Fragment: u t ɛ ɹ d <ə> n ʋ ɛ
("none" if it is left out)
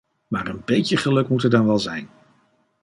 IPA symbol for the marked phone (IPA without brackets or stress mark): ɑ